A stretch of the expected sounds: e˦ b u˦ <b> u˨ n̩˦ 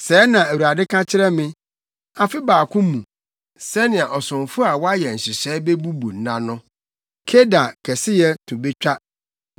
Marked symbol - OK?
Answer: yes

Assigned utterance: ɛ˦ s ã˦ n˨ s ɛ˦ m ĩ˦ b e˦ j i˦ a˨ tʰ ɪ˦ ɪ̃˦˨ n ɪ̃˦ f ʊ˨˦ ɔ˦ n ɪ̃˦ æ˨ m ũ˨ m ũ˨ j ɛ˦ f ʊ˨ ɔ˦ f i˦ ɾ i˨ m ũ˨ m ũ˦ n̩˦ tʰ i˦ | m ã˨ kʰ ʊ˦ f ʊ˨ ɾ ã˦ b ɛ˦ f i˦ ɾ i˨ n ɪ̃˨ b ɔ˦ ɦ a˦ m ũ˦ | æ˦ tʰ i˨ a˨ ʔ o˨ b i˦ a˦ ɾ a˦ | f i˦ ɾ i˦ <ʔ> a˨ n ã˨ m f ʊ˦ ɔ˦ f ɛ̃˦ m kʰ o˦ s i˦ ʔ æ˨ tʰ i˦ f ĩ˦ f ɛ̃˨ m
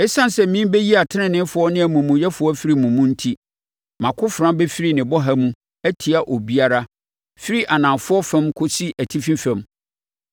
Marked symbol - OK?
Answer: yes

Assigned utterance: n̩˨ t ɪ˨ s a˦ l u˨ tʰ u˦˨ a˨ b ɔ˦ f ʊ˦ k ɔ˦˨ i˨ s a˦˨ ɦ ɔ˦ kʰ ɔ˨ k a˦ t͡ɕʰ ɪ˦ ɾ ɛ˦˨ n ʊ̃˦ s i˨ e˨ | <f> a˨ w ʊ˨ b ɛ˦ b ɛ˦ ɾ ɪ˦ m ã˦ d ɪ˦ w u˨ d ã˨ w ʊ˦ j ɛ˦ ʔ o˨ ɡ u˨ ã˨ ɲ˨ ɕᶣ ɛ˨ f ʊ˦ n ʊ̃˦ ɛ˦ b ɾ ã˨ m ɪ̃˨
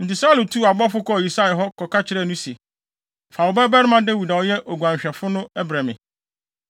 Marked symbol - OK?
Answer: yes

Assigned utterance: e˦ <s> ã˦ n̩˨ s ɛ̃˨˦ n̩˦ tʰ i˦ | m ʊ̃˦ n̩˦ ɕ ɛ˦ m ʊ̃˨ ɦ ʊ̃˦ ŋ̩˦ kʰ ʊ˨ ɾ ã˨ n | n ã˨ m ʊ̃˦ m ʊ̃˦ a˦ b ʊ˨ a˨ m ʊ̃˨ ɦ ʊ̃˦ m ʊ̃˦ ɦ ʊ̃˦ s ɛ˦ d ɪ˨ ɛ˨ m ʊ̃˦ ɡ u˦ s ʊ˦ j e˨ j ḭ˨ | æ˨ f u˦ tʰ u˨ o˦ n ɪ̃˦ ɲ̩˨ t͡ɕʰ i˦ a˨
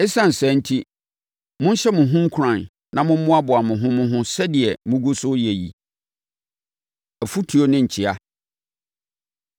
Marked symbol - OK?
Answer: yes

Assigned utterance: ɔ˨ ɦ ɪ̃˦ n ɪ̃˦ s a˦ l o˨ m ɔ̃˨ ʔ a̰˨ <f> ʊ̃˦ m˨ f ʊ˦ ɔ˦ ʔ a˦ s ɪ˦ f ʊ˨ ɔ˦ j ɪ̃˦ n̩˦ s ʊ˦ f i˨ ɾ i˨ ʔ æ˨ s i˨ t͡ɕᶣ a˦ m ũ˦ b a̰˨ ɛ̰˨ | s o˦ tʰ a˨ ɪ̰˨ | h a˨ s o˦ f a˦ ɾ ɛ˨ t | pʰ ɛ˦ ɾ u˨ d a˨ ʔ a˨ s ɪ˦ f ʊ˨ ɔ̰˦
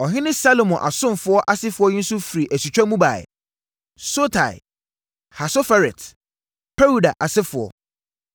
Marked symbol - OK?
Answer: no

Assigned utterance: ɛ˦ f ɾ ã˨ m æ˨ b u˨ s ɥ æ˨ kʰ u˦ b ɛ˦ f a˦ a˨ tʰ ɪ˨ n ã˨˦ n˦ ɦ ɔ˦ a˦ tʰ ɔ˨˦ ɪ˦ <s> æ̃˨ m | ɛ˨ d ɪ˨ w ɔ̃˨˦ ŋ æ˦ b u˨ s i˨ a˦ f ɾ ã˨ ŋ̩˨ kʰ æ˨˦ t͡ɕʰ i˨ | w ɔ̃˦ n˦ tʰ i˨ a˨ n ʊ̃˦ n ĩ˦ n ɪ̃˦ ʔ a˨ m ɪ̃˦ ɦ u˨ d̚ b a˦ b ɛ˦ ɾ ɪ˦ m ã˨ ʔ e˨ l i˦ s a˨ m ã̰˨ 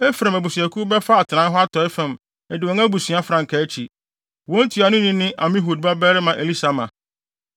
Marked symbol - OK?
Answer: no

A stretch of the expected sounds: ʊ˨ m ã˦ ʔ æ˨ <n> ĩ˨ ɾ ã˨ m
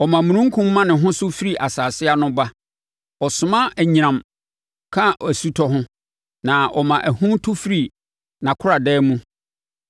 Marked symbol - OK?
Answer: no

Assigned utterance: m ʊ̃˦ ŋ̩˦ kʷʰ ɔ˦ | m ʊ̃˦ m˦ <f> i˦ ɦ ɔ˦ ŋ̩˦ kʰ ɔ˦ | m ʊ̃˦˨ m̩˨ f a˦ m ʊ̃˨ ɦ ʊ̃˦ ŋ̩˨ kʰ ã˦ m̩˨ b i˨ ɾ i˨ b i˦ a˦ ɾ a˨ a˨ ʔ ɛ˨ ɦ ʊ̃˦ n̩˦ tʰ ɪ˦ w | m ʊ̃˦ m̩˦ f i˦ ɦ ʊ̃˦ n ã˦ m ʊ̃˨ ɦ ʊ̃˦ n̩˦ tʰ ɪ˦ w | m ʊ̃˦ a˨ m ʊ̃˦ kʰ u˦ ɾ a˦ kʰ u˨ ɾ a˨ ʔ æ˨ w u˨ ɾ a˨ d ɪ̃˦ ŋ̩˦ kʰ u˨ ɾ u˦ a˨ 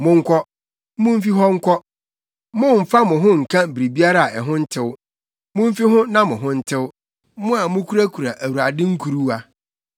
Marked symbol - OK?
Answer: yes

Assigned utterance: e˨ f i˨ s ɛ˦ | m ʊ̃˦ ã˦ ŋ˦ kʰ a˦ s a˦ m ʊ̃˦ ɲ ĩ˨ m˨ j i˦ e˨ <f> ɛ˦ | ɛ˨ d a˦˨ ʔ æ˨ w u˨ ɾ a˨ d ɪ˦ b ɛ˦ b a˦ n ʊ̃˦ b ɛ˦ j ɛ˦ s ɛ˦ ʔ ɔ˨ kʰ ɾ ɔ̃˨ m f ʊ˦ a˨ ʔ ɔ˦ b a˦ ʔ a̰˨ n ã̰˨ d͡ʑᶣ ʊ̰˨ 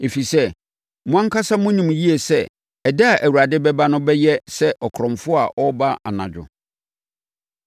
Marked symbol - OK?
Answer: no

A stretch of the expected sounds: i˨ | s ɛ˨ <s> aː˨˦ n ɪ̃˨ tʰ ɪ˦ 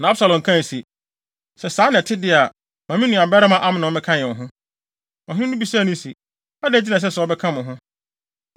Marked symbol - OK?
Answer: yes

